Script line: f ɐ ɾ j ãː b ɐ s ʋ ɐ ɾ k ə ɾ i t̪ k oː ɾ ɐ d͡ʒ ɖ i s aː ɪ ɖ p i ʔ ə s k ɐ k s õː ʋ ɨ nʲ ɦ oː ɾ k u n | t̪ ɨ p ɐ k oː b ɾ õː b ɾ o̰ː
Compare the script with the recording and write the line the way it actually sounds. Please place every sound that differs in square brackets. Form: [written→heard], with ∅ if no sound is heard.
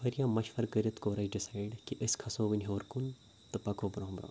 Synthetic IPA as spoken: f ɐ ɾ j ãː [b→m] ɐ [s→ʃ] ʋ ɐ ɾ k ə ɾ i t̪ k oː ɾ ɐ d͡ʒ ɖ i s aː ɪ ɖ [p→k] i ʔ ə s [k→kʰ] ɐ [k→∅] s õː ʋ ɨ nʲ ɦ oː ɾ k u n | t̪ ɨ p ɐ k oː b ɾ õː b ɾ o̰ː